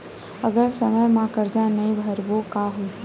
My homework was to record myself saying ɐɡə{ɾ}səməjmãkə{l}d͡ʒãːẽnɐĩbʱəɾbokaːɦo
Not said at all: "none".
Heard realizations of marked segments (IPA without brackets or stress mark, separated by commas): ɾ, ɾ